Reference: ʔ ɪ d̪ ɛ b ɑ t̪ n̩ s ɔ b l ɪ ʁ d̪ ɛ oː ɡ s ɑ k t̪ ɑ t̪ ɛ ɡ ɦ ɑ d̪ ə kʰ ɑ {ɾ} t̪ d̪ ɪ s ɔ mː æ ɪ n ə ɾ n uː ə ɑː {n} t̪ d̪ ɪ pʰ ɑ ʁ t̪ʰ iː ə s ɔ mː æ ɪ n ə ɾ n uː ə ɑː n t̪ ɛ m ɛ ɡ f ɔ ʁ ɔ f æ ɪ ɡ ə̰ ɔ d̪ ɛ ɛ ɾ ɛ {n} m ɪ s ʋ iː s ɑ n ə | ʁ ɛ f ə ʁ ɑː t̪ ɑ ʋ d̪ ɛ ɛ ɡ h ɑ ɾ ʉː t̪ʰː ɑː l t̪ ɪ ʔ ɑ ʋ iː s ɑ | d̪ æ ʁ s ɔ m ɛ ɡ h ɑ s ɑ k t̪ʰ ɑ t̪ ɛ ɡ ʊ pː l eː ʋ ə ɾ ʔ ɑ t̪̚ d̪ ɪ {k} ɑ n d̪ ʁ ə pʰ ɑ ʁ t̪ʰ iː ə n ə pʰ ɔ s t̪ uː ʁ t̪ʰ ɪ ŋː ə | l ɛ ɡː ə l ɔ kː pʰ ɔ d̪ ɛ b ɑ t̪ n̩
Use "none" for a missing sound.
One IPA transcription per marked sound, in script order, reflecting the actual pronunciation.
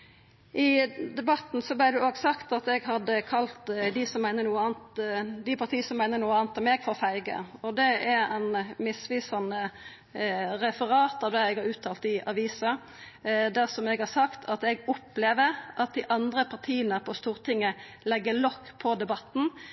l, n, n, ʔ

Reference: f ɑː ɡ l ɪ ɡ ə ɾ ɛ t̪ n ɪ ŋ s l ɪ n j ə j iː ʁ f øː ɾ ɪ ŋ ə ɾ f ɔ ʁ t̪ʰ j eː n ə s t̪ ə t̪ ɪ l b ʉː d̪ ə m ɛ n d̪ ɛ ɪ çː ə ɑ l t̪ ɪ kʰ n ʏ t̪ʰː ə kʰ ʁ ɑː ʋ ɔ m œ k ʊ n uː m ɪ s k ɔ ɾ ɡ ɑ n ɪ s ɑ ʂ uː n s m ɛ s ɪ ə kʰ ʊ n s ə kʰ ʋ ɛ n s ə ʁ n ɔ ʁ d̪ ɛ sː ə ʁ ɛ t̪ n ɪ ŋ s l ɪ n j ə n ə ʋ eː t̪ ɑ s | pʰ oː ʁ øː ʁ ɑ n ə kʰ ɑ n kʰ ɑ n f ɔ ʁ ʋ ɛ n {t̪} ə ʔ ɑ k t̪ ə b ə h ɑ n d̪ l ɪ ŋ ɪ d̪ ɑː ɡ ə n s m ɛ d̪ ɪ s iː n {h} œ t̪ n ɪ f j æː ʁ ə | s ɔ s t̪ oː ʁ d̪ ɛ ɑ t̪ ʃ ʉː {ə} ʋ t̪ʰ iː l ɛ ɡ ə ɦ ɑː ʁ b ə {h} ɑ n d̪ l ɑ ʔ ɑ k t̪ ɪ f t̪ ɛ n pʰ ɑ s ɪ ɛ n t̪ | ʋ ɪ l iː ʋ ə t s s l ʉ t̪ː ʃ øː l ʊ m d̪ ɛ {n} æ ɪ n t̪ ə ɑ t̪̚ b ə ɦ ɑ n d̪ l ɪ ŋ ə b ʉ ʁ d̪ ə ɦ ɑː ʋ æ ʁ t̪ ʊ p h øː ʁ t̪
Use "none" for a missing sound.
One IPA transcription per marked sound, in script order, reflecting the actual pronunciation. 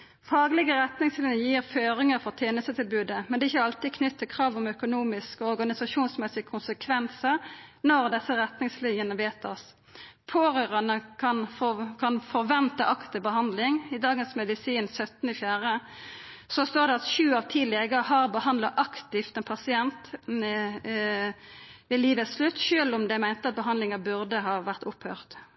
t̪, s, ɑ, h, m

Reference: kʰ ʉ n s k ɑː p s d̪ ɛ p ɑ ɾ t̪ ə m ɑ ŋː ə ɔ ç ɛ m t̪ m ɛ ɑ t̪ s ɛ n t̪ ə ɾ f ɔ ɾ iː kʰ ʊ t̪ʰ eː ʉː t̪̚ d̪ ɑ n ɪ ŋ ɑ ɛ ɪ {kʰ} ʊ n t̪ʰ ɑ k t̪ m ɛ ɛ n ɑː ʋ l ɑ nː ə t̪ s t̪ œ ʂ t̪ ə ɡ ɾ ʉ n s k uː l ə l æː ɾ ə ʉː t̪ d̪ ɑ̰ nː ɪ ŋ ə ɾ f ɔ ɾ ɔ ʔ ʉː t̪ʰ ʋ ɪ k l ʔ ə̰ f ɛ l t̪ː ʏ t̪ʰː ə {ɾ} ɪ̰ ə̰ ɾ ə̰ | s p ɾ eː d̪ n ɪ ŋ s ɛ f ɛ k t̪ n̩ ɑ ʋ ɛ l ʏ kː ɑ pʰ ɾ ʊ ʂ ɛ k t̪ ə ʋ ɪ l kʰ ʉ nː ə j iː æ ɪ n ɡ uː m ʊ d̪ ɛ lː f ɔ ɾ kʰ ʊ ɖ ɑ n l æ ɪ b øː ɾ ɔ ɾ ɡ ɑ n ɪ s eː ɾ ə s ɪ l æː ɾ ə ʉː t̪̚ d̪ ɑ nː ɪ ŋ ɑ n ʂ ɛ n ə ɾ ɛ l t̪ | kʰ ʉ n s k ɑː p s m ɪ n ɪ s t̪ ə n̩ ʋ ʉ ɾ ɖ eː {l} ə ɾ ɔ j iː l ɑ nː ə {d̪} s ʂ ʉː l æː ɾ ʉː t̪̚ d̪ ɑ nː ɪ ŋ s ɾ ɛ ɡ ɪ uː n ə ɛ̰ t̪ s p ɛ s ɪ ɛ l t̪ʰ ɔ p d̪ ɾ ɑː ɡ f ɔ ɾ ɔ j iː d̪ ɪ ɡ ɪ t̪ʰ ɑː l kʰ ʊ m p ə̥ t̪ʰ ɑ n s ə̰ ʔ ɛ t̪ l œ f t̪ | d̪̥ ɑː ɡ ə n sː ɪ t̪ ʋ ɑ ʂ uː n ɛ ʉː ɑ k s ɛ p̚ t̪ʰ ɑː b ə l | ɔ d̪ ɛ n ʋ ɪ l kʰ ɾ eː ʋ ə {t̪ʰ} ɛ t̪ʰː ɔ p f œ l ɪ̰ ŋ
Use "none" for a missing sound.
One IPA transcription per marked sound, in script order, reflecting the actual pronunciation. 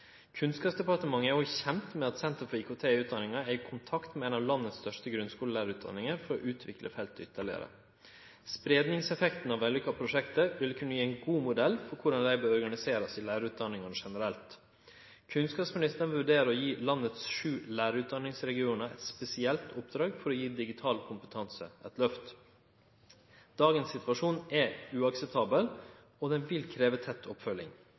kʰ, ɭ, ɾ, t̪, t̪ʰ

